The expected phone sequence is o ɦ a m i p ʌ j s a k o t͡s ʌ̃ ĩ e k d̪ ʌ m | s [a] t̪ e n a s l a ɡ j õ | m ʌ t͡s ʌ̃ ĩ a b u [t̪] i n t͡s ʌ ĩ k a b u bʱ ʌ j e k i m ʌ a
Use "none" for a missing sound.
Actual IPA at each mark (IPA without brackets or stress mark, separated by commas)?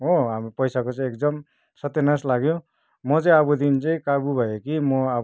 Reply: ʌ, d̪